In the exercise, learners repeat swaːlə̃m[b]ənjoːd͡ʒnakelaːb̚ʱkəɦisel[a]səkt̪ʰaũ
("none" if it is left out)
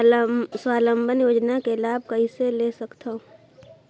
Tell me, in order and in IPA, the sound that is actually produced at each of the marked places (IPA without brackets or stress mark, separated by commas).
b, e